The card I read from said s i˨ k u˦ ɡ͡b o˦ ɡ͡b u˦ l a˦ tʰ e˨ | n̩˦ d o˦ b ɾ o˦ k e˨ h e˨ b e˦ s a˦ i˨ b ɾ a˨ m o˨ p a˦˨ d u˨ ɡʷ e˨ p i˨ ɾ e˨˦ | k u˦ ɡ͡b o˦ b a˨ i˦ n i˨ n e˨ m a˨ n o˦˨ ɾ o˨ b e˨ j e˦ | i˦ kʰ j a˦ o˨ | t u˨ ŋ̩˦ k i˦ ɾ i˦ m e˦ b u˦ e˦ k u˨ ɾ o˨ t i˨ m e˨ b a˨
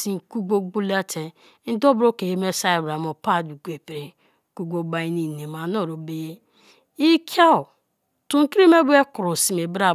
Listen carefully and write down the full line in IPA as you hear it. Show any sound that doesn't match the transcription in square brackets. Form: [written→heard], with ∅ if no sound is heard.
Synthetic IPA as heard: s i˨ k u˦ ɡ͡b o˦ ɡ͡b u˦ l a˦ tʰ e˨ | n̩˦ d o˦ b ɾ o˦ k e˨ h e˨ [b→m] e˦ s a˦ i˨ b ɾ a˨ m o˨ p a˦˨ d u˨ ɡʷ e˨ p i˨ ɾ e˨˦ | k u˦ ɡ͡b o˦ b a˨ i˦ n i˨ n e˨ m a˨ n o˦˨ ɾ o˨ b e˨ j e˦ | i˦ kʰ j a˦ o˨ | t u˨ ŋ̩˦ k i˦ ɾ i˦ m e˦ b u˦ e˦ k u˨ ɾ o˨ [t→s] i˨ m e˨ b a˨